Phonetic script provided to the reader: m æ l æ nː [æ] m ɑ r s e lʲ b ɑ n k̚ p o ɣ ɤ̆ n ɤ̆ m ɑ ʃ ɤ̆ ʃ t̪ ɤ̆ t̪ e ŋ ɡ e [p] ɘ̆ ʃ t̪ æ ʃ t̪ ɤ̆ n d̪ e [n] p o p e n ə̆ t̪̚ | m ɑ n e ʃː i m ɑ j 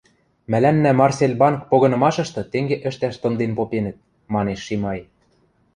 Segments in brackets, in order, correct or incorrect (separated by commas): correct, incorrect, correct